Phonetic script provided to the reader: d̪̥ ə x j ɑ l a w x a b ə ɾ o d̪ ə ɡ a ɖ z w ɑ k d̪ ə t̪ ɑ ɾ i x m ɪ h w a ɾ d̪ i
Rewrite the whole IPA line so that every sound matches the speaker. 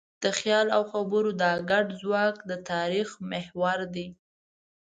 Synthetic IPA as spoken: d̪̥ ə x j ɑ l a w x a b ə ɾ o d̪ ɑ ɡ a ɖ z w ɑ k d̪ ə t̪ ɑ ɾ i x m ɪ h w a ɾ d̪ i

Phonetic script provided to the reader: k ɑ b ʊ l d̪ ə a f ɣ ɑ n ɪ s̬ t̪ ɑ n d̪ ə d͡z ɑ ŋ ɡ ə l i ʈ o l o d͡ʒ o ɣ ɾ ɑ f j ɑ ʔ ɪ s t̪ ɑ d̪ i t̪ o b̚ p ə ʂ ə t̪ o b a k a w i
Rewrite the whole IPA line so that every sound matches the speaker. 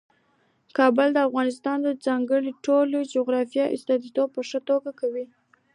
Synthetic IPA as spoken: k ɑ b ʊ l d̪ ə a f ɣ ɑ n ɪ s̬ t̪ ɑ n d̪ ə d͡z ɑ ŋ ɡ ə ɽ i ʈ o l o d͡ʒ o ɣ ɾ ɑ f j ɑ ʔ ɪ s t̪ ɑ d̪ i t̪ o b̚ p ə ʂ ə t̪ o ɡ a k a w i

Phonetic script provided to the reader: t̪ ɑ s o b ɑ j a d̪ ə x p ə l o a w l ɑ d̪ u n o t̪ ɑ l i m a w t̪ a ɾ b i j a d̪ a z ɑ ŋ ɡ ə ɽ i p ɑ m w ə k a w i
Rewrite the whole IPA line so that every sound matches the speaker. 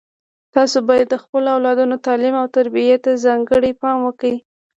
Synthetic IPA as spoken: t̪ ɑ s o b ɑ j a d̪ː ə x p ə l o a w l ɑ d̪ u n o t̪ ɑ l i m a w t̪ a ɾ b i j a t̪ a z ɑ ŋ ɡ ə ɽ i p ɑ m w ə k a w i

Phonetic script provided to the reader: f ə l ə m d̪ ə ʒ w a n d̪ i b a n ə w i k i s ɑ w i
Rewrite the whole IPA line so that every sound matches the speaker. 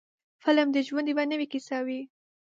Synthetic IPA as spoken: f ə l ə m d̪ ə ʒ w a n d̪ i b a n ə w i k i s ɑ w i

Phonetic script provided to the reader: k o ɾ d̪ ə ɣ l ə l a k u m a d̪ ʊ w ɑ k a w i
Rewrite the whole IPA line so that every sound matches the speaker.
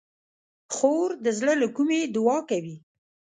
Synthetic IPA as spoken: x o ɾ d̪ ə z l ə l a k u m e d̪ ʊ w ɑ k a w i

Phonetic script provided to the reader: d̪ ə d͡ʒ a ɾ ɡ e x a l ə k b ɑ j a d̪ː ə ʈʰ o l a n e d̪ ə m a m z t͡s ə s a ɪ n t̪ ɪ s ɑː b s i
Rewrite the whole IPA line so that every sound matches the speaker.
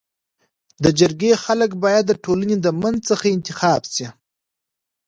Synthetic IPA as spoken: d̪ ə d͡ʒ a ɾ ɡ e x a l ə k b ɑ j a d̪ː ə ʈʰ o l a n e d̪ ə m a n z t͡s ə x a ɪ n t̪ ɪ x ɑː b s i

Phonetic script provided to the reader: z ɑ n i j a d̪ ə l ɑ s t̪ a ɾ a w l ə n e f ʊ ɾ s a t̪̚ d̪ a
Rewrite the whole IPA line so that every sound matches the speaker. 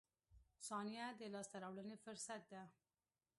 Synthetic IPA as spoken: s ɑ n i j a d̪ ə l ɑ s t̪ a ɾ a w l ə n e f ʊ ɾ s a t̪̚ d̪ a

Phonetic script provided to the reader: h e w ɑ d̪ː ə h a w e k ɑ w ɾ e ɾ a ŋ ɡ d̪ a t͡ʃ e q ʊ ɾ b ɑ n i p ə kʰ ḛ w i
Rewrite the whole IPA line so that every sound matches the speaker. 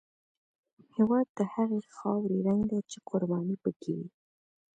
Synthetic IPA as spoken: h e w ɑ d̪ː ə h a ɣ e x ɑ w ɾ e ɾ a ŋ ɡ d̪ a t͡ʃ e q ʊ ɾ b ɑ n i p ə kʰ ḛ w i

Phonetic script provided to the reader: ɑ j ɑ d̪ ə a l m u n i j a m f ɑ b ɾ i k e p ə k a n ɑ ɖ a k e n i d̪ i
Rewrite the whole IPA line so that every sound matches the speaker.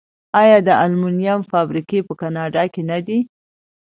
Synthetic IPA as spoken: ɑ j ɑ d̪ ə a l m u n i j a m f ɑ b ɾ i k e p ə k a n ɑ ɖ ɑ k e n a d̪ i

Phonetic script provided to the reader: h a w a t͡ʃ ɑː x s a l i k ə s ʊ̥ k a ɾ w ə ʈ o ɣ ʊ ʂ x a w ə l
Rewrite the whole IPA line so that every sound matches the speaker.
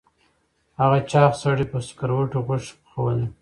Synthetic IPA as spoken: h a ɣ a t͡ʃ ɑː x s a ɽ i p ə s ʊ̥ k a ɾ w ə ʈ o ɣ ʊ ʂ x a w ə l

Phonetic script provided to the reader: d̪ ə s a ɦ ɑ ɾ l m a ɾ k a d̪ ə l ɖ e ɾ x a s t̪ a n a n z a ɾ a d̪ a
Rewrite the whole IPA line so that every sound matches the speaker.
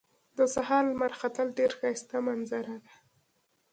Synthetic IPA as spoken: d̪ ə s a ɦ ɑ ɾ l m a ɾ x a t̪ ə l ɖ e ɾ x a s t̪ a m a n z a ɾ a d̪ a

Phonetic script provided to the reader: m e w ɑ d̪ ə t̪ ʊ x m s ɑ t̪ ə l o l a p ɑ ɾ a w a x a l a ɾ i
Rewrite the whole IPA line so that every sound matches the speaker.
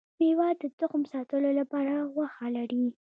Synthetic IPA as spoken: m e w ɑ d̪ ə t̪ ʊ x m s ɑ t̪ ə l o l a p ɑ ɾ a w a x a l a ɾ i

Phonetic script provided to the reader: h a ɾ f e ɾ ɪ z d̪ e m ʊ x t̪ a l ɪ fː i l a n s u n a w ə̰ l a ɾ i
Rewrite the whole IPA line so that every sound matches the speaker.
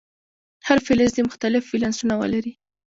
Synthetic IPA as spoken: h a ɾ f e l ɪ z d̪ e m ʊ x t̪ a l ɪ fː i l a n s u n a w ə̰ l a ɾ i

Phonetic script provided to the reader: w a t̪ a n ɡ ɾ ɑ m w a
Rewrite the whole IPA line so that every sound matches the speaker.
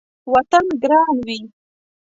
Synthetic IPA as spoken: w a t̪ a n ɡ ɾ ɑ n w i

